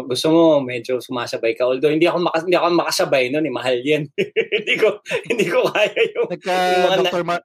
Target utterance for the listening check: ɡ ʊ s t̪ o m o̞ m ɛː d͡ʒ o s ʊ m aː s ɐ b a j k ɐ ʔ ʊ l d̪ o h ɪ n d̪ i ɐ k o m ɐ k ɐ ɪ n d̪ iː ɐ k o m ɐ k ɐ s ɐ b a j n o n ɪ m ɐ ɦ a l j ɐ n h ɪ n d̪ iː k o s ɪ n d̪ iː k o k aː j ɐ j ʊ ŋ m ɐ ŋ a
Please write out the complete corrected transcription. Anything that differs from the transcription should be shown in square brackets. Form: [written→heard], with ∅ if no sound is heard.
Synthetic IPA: ɡ ʊ s t̪ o m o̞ m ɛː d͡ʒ o s ʊ m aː s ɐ b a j k ɐ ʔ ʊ l d̪ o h ɪ n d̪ i ɐ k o m ɐ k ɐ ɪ n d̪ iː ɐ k o m ɐ k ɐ s ɐ b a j n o n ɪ m ɐ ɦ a l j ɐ n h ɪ n d̪ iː k o [s→h] ɪ n d̪ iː k o k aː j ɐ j ʊ ŋ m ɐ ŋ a